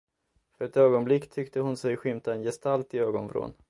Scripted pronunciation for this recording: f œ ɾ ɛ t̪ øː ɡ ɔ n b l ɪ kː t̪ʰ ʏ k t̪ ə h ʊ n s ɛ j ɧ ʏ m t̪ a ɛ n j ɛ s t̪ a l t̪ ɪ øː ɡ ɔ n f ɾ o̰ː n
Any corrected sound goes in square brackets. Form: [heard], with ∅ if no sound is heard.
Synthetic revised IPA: f œ ɾ ɛ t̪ øː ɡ ɔ n b l ɪ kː t̪ʰ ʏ k t̪ ə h ʊ n s ɛ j ɧ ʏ m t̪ a ɛ n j ɛ s t̪ a l t̪ ɪ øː ɡ ɔ n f ɾ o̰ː n